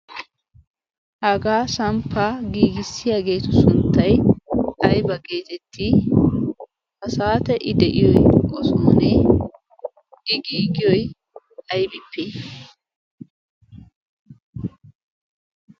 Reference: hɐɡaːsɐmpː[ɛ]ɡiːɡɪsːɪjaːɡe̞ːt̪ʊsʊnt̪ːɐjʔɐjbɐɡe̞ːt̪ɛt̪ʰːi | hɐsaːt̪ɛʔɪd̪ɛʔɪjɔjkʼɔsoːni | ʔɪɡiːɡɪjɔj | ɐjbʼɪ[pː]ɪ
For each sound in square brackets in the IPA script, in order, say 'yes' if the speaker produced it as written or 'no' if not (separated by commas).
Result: no, yes